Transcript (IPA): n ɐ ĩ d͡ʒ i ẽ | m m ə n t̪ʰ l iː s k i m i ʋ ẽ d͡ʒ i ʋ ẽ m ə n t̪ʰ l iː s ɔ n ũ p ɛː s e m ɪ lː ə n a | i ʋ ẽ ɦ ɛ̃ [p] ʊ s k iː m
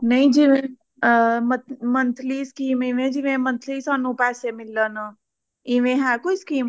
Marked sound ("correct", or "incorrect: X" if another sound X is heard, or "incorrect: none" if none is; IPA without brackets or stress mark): incorrect: k